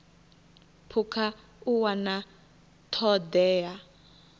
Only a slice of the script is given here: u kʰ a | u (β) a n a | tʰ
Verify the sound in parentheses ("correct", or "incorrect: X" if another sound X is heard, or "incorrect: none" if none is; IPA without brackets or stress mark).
incorrect: w